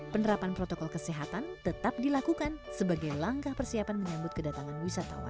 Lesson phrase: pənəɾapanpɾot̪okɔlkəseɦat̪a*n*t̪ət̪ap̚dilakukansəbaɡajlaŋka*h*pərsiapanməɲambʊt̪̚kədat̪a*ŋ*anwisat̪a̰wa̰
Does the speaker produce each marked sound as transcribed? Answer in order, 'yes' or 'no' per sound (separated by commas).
yes, yes, yes